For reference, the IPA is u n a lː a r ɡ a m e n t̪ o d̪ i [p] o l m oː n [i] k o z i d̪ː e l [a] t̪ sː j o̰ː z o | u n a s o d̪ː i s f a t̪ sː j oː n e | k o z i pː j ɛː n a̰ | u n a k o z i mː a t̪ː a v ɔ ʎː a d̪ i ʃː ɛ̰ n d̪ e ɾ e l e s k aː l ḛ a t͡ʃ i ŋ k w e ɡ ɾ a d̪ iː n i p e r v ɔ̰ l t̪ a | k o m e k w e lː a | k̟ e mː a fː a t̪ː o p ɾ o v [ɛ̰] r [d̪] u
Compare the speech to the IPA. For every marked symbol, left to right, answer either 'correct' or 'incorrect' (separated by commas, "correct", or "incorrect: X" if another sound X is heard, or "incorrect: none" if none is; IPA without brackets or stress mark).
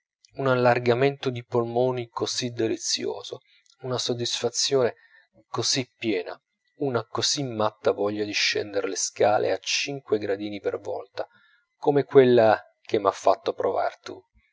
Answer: correct, correct, incorrect: i, incorrect: a̰, incorrect: t̪